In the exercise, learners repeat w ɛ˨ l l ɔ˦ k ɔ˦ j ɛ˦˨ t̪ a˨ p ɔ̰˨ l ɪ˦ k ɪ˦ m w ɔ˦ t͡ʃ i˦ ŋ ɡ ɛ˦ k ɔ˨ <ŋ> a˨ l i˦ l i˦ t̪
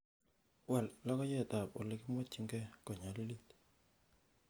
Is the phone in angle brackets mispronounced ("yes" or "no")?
yes